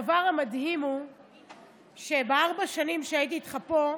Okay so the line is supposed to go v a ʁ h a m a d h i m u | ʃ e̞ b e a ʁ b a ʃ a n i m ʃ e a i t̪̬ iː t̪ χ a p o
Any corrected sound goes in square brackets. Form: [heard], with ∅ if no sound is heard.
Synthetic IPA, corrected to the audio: v a ʁ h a m a d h i m u | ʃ e̞ b e a ʁ b a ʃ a n i m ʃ e a i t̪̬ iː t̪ χ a p o